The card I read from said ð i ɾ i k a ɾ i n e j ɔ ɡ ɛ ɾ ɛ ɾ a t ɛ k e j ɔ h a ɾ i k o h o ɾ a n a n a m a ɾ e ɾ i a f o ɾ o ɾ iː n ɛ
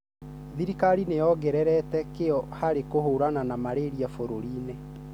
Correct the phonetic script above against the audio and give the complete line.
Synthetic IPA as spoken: ð i ɾ i k a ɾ i n e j ɔ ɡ ɛ ɾ ɛ ɾ ɛ t ɛ k e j ɔ h a ɾ e k o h o ɾ a n a n a m a ɾ e ɾ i a f o ɾ o ɾ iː n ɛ